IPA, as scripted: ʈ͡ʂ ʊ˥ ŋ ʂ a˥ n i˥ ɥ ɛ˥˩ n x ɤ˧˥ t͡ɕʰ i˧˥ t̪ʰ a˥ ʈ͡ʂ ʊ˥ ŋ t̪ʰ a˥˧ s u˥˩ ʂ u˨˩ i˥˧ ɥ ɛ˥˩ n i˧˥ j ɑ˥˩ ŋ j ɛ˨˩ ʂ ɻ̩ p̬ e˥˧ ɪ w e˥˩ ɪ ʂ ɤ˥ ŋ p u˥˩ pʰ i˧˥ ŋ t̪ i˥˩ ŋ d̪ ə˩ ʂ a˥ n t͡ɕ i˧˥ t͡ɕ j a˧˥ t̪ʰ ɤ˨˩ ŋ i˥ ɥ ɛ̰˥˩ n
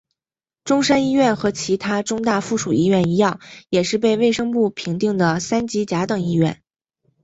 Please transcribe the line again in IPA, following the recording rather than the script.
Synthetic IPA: ʈ͡ʂ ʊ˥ ŋ ʂ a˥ n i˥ ɥ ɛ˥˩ n x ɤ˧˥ t͡ɕʰ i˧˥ t̪ʰ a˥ ʈ͡ʂ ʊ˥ ŋ t̪ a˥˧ f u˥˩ ʂ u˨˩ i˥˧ ɥ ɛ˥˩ n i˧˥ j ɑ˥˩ ŋ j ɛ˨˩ ʂ ɻ̩ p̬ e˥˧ ɪ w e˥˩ ɪ ʂ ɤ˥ ŋ p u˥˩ pʰ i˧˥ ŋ t̪ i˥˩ ŋ d̪ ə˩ s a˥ n t͡ɕ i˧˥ t͡ɕ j a˧˥ t̪ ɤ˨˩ ŋ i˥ ɥ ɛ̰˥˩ n